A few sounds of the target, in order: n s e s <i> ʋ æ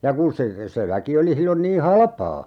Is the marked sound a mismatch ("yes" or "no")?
yes